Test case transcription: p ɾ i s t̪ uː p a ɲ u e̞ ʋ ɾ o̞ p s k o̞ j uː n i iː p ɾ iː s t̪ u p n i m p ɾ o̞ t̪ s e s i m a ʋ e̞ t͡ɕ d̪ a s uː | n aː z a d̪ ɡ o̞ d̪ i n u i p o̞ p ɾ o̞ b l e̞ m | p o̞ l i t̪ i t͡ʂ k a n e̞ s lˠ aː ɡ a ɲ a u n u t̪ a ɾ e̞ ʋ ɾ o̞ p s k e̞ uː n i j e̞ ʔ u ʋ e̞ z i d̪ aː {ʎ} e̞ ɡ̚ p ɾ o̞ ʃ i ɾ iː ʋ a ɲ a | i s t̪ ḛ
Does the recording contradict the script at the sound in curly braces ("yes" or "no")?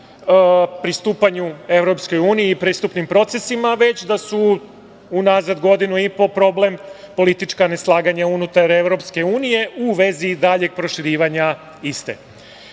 no